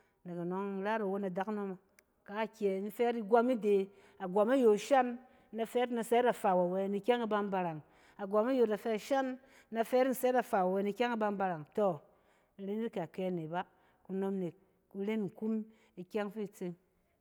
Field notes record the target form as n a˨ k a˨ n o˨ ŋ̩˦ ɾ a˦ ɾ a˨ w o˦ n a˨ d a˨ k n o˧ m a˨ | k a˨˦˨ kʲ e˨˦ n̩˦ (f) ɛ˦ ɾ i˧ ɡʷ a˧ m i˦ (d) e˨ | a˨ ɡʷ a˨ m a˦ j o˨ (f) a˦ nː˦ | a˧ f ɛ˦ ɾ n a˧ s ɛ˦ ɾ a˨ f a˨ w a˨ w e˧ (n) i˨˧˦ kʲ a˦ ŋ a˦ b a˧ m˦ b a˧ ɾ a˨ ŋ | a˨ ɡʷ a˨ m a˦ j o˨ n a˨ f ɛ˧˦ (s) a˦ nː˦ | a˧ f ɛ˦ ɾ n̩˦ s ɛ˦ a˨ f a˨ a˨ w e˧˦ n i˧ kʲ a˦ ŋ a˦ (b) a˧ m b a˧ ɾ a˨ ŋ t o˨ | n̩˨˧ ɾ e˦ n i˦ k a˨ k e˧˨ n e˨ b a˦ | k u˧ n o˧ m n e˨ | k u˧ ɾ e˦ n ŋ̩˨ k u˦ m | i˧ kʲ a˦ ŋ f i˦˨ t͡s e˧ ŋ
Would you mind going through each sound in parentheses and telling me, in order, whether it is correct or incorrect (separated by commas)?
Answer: correct, correct, incorrect, correct, incorrect, correct